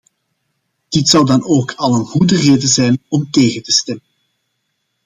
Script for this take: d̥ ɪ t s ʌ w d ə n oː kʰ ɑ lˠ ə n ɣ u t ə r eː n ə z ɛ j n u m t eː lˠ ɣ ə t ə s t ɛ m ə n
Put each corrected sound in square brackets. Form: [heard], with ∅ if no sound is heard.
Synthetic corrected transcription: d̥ ɪ t s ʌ w d [ɑ] n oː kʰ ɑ lˠ ə n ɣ u [d] ə r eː [d] ə z ɛ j n [ɔ] m t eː [∅] ɣ ə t ə s t ɛ m ə n